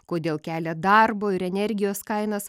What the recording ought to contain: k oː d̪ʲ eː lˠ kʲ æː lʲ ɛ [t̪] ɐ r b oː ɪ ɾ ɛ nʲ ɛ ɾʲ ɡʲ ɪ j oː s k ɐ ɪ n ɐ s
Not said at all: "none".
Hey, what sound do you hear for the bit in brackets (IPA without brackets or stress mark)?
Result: d̪